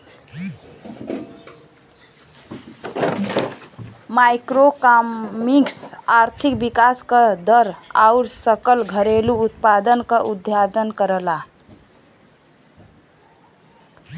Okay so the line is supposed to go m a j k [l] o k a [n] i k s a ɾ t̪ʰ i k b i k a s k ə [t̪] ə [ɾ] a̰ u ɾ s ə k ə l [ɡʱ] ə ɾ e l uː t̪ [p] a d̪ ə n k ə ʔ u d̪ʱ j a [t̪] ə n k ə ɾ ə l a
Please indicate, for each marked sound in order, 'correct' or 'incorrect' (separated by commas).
incorrect, incorrect, incorrect, correct, correct, correct, incorrect